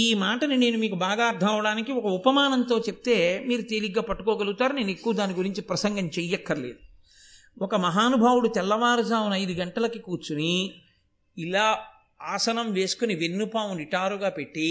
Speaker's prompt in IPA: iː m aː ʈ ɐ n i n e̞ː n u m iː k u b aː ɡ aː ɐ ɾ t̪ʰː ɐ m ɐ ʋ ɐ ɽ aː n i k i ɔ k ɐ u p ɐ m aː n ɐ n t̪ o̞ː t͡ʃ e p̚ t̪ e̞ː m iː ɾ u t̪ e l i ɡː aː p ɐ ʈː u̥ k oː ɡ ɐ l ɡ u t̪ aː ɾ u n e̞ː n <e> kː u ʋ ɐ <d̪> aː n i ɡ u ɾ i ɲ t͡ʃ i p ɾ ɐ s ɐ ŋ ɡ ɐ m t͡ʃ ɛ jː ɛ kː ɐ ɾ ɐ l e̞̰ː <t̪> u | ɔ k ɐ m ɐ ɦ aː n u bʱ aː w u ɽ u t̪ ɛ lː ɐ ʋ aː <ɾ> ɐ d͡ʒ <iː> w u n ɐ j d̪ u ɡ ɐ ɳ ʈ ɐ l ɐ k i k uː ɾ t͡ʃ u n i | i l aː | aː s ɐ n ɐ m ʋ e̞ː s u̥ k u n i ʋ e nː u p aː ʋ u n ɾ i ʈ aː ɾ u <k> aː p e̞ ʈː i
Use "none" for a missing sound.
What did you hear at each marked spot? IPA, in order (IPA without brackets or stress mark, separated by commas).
e, d̪, d̪, ɾ, aː, ɡ